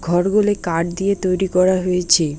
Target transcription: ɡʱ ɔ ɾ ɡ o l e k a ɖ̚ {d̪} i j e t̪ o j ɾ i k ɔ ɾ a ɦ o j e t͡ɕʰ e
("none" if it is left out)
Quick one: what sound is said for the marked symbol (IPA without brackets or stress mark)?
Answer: d̪